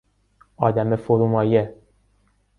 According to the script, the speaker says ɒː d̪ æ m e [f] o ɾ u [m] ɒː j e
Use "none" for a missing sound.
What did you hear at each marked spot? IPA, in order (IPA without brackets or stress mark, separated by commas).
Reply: f, m